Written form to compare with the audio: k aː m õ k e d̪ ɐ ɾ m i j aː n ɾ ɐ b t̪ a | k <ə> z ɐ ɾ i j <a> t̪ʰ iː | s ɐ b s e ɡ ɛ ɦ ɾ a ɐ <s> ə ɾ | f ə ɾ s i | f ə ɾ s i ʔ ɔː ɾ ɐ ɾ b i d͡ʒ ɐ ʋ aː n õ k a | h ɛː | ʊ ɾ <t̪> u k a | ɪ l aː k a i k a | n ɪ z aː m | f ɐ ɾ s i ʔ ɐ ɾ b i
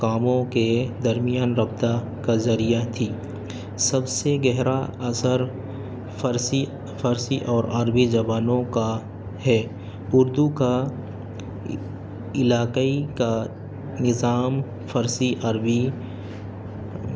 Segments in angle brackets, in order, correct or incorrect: incorrect, correct, correct, incorrect

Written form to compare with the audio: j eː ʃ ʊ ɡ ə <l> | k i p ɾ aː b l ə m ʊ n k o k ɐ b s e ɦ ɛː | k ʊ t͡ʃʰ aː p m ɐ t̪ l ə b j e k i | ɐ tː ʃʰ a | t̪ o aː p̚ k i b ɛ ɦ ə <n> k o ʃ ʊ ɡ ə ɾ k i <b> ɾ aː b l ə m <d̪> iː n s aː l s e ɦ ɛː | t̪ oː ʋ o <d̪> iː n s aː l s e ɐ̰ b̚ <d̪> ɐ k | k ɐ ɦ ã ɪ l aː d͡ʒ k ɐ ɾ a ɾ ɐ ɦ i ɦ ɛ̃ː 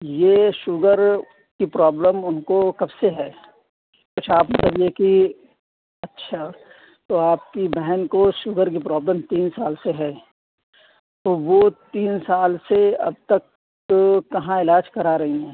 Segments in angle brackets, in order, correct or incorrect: incorrect, correct, incorrect, incorrect, incorrect, incorrect

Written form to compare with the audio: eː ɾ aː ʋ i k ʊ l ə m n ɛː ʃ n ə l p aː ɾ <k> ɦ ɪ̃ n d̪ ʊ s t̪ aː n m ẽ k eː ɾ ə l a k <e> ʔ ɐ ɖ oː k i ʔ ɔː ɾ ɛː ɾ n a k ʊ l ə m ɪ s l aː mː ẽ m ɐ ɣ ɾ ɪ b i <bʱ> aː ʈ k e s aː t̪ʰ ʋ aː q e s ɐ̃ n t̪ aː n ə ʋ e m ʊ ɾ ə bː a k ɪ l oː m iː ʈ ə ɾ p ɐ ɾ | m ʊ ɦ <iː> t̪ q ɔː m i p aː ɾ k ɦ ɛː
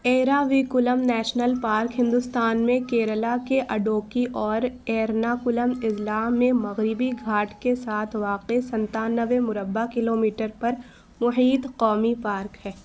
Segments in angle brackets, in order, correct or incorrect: correct, correct, incorrect, correct

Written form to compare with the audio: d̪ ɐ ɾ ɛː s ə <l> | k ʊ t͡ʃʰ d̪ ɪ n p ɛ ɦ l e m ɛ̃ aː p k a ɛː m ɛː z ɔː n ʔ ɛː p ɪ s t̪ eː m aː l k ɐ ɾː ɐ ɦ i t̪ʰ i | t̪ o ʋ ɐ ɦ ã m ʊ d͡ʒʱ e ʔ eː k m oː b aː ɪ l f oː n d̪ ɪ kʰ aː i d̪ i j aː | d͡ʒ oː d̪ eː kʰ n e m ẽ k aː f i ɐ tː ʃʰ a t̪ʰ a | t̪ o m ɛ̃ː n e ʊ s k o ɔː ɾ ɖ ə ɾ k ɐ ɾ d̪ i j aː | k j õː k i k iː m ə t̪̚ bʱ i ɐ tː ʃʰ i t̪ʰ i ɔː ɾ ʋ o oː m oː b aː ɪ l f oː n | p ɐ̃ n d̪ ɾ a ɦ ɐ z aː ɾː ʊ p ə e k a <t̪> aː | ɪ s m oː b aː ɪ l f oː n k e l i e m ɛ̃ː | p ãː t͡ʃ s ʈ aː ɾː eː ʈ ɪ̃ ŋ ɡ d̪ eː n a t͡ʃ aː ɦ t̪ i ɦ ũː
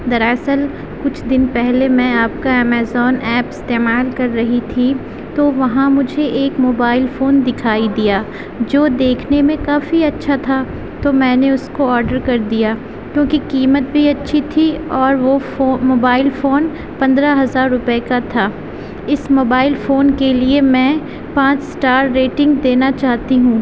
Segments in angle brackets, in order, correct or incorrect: correct, incorrect

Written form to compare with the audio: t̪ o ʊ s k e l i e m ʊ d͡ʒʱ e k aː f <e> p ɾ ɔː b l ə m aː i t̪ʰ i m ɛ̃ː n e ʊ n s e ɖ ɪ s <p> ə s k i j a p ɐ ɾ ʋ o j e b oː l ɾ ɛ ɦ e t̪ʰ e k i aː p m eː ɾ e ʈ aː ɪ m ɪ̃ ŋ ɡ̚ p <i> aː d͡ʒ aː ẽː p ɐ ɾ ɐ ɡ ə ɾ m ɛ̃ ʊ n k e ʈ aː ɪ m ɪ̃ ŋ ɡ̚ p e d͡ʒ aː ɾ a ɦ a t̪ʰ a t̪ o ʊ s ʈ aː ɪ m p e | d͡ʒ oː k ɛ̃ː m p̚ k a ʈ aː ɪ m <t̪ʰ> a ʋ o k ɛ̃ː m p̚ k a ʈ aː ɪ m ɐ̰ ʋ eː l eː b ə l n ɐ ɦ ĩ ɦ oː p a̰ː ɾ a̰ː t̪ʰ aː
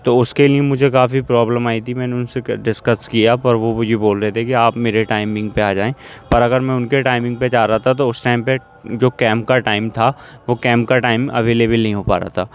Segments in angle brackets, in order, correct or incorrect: incorrect, incorrect, incorrect, correct

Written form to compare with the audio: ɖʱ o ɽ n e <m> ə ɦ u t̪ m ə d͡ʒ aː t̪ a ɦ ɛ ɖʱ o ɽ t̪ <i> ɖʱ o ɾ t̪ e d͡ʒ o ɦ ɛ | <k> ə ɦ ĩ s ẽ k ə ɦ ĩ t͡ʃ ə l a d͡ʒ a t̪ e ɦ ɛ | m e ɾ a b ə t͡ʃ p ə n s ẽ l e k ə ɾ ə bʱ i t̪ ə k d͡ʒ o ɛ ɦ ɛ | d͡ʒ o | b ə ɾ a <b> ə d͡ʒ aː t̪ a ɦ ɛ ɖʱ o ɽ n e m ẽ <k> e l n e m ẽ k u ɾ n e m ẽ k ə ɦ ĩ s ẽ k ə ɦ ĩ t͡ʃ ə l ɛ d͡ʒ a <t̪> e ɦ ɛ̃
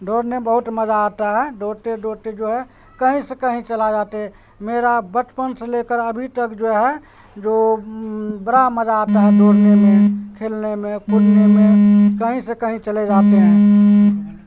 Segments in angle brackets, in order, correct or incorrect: incorrect, incorrect, correct, incorrect, incorrect, correct

